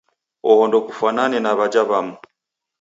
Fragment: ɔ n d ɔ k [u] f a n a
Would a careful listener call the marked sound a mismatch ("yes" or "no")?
no